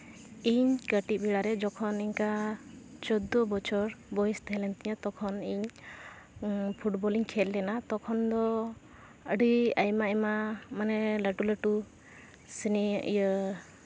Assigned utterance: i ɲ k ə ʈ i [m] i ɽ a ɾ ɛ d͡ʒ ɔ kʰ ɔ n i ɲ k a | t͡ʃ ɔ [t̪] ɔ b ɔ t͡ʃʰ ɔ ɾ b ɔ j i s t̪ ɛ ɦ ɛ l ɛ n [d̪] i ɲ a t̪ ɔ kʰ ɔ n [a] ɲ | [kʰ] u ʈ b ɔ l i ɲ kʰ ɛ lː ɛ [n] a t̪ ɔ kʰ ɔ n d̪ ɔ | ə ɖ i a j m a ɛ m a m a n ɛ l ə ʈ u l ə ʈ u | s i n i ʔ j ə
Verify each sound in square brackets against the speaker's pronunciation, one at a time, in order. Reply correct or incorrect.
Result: incorrect, incorrect, incorrect, incorrect, incorrect, correct

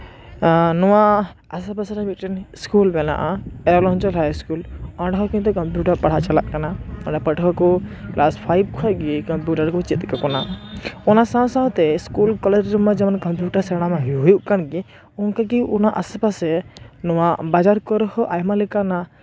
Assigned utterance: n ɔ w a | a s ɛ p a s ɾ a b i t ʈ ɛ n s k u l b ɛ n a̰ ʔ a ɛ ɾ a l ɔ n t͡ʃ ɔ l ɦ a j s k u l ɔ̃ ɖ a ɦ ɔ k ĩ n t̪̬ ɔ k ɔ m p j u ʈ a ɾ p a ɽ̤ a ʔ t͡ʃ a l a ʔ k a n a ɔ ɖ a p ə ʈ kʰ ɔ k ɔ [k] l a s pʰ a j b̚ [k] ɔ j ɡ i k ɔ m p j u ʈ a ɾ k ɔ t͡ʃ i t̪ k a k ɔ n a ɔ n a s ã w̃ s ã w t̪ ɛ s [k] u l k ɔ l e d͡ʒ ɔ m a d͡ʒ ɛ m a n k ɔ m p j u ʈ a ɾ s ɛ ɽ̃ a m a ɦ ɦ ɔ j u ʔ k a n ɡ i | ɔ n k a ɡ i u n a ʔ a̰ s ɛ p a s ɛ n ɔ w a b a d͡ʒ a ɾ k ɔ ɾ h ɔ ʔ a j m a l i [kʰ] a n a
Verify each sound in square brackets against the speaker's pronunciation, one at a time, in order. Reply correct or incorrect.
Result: correct, incorrect, correct, incorrect

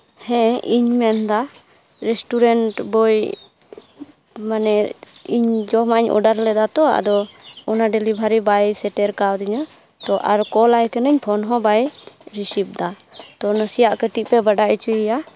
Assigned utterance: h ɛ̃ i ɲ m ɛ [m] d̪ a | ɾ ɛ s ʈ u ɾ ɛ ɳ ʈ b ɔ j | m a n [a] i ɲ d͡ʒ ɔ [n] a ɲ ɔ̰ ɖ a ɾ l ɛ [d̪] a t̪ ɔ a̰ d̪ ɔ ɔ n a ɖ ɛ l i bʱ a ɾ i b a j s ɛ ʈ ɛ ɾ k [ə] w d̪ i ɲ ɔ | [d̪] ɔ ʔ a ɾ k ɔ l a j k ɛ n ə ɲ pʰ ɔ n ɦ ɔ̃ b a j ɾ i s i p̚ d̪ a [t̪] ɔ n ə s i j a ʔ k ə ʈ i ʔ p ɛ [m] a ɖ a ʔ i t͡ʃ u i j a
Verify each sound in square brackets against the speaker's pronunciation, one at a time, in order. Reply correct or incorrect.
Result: incorrect, incorrect, incorrect, correct, incorrect, incorrect, correct, incorrect

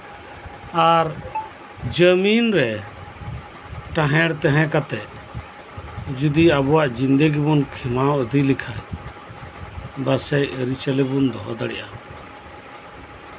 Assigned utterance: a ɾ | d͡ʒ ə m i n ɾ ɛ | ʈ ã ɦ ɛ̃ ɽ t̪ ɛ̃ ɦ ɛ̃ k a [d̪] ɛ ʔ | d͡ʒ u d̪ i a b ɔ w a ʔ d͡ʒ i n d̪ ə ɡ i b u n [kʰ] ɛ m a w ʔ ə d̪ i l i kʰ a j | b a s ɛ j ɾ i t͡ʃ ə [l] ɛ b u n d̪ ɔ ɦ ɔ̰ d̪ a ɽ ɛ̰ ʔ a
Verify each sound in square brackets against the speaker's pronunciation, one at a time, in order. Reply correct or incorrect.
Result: incorrect, correct, correct

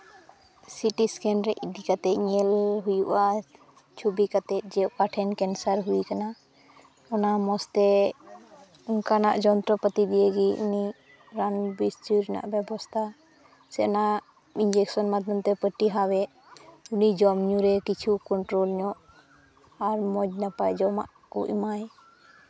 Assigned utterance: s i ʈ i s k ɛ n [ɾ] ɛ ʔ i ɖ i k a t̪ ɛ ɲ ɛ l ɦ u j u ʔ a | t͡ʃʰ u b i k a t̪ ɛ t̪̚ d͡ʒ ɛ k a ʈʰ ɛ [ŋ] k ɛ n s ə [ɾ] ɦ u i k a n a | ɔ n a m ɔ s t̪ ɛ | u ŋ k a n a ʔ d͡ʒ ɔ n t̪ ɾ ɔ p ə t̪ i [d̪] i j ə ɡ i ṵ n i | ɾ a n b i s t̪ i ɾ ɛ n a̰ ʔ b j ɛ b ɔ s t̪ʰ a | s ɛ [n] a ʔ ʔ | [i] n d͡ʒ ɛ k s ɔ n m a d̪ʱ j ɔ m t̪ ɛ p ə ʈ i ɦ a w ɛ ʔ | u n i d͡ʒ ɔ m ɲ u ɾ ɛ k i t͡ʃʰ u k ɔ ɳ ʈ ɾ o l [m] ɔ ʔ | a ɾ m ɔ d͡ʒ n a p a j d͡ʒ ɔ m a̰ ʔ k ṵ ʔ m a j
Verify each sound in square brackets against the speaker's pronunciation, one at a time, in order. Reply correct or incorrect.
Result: correct, incorrect, correct, correct, correct, correct, incorrect

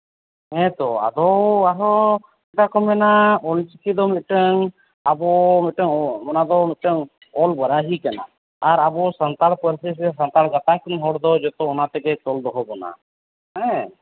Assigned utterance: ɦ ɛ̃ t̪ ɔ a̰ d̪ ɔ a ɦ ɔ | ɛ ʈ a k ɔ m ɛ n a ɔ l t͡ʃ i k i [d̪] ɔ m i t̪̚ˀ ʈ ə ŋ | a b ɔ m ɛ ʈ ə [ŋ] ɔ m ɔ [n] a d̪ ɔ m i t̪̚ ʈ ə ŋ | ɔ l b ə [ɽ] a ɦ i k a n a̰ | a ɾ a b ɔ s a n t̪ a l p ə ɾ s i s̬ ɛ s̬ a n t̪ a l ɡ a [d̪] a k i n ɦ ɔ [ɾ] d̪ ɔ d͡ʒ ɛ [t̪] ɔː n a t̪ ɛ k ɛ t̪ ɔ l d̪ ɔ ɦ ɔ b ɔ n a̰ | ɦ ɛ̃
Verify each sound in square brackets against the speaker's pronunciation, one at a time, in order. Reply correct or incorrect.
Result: correct, correct, correct, incorrect, incorrect, incorrect, correct

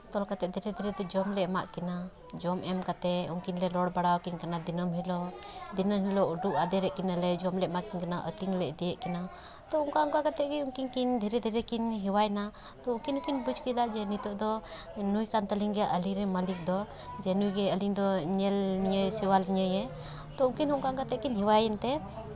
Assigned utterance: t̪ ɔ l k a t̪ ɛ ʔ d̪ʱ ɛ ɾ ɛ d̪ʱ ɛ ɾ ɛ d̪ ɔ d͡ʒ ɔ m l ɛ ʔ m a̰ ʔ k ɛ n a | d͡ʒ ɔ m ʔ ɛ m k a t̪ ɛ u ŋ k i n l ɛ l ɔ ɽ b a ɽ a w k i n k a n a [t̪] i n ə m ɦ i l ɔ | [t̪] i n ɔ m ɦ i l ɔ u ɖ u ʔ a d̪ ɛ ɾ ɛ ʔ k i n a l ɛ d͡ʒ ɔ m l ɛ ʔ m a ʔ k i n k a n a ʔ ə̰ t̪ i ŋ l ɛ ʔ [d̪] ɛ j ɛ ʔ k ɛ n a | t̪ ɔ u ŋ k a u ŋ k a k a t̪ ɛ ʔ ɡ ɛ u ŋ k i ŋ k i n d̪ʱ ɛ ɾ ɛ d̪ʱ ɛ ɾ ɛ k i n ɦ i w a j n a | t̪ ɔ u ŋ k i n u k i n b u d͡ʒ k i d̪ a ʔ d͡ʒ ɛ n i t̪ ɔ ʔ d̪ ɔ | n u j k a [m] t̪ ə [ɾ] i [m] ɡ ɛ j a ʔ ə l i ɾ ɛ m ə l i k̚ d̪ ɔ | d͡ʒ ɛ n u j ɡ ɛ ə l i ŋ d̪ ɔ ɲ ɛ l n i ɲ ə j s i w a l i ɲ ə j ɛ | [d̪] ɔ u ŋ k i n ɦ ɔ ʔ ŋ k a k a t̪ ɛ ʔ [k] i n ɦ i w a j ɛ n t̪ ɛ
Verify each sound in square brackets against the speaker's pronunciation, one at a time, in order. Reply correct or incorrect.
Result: incorrect, incorrect, correct, incorrect, incorrect, incorrect, incorrect, correct

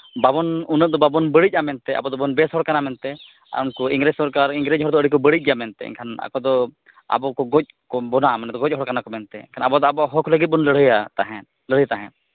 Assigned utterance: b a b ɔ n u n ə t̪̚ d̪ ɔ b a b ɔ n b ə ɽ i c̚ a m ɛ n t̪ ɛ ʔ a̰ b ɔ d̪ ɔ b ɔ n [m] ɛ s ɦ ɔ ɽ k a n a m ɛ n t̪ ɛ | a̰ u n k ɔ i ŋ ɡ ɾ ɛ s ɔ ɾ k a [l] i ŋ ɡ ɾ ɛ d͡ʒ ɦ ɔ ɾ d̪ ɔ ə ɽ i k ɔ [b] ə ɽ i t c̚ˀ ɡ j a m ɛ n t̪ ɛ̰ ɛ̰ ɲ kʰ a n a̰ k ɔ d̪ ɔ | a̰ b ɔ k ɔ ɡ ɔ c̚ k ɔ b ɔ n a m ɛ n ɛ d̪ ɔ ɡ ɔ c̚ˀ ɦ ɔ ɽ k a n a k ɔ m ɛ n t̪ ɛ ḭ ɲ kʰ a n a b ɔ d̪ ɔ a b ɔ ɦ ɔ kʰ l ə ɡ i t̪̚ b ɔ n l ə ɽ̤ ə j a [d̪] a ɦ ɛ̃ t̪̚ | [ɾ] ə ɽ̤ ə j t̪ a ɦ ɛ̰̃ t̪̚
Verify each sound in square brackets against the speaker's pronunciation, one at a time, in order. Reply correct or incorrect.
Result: incorrect, incorrect, correct, incorrect, incorrect

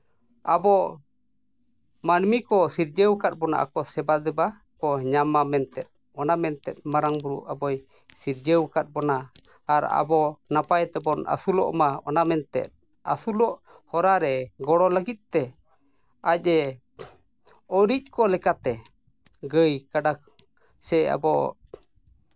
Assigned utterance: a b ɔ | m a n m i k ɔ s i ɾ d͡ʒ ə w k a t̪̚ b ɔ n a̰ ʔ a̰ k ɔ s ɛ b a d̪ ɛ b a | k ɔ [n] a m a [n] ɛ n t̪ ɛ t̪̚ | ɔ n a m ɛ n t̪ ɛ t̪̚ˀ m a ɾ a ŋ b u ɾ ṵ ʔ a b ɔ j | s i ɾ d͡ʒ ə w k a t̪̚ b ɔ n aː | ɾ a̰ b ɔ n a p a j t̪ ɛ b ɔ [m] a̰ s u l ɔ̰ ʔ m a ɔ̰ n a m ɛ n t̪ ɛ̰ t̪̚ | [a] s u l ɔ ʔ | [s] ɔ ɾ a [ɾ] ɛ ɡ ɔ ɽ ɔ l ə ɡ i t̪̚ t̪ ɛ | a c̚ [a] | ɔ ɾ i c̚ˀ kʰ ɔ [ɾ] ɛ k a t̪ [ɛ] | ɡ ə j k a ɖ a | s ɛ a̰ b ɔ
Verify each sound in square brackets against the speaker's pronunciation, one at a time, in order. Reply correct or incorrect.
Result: incorrect, incorrect, incorrect, correct, incorrect, correct, incorrect, incorrect, correct

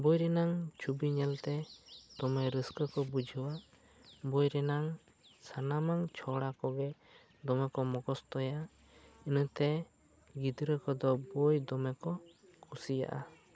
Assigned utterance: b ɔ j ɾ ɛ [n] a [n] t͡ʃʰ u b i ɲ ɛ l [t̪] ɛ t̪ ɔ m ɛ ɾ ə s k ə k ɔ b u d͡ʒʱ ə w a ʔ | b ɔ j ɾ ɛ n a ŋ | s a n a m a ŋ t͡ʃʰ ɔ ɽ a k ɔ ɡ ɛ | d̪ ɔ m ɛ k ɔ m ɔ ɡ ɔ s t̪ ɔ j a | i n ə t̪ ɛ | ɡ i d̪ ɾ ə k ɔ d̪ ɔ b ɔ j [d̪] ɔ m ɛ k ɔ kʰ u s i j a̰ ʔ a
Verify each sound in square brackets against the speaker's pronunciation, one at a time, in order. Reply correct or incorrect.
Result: correct, incorrect, correct, correct

